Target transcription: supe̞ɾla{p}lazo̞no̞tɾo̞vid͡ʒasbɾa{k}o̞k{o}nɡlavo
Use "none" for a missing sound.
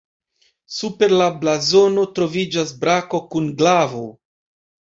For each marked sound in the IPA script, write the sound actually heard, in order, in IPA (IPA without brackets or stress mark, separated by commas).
b, k, u